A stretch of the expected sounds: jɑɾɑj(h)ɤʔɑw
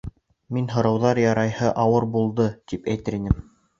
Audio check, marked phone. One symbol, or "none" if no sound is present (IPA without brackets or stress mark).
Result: h